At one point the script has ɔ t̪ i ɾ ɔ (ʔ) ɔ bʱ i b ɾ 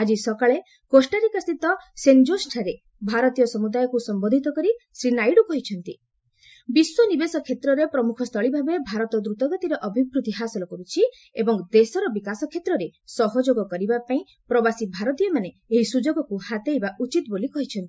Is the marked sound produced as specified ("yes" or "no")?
yes